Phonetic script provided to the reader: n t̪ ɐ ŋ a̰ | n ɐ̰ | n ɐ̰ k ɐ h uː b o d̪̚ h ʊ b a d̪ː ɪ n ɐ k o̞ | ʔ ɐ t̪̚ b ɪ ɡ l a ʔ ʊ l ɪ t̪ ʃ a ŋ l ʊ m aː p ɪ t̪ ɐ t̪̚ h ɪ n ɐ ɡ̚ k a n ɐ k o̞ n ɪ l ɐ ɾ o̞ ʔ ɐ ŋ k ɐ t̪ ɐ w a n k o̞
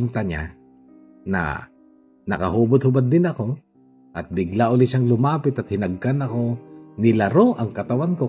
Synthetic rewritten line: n t̪ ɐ ɲ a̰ | n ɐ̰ | n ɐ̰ k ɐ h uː b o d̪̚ h ʊ b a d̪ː ɪ n ɐ k o̞ | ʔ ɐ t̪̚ b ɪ ɡ l a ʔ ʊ l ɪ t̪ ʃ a ŋ l ʊ m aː p ɪ t̪ ɐ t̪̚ h ɪ n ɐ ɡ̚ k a n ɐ k o̞ n ɪ l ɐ ɾ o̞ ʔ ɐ ŋ k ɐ t̪ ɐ w a n k o̞